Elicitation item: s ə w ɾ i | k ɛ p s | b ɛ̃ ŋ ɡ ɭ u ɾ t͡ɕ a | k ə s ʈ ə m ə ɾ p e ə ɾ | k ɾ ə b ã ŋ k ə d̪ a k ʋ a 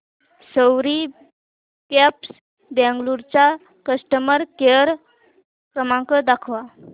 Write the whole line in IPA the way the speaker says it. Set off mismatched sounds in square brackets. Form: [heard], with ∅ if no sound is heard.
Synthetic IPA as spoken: s ə w ɾ i | k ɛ p s | b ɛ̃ ŋ ɡ [l] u ɾ t͡ɕ a | k ə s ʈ ə m ə ɾ [k] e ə ɾ | k ɾ ə [m] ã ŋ k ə d̪ a [kʰ] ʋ a